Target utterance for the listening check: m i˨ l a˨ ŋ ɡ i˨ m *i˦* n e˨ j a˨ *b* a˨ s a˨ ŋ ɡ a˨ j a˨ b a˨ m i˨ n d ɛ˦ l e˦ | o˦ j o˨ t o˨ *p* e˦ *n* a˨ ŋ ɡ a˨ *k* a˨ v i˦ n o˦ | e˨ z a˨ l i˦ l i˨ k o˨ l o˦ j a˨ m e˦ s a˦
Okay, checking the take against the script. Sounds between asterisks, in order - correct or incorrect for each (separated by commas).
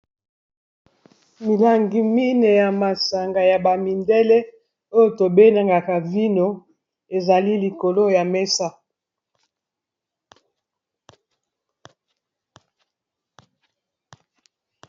correct, incorrect, incorrect, correct, correct